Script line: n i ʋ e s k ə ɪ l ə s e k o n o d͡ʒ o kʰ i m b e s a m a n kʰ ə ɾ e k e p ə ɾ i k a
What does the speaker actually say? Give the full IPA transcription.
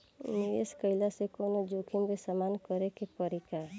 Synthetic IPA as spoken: n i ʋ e s k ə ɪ l a s e k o n o d͡ʒ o kʰ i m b e s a m a n k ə ɾ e k e p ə ɾ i k a

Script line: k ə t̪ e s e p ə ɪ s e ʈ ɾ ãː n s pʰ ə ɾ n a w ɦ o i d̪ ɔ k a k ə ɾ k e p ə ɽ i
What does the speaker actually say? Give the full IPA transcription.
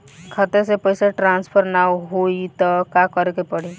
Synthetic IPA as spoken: kʰ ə t̪ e s e p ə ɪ s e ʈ ɾ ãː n s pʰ ə ɾ n a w ɦ o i t̪ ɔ k a k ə ɾ k e p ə ɽ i

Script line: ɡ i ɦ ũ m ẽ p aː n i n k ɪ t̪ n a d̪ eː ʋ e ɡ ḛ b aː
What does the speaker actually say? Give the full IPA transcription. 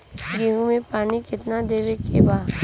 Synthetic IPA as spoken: ɡ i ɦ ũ m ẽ p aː n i k ɪ t̪ n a d̪ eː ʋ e k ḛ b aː

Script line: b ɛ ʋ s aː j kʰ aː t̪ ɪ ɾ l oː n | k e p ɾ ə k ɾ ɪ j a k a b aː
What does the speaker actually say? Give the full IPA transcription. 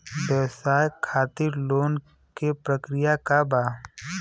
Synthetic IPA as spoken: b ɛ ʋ s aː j kʰ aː t̪ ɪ ɾ l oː n | k e p ɾ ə k ɾ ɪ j a k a b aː

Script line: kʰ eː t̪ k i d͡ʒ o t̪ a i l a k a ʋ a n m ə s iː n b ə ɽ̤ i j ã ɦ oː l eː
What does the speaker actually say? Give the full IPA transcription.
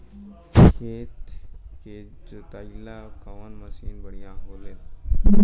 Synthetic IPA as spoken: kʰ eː t̪ k e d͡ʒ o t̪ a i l a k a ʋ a n m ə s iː n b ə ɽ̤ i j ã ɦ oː l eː

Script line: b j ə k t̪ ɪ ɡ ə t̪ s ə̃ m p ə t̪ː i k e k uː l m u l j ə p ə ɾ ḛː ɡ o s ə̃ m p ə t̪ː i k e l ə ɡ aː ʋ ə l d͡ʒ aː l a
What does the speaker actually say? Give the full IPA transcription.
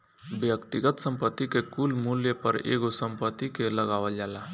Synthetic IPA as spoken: b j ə k t̪ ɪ ɡ ə t̪ s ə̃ m p ə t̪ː i k e k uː l m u l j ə p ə ɾ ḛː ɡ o s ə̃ m p ə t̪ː i k e l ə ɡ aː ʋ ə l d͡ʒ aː l a

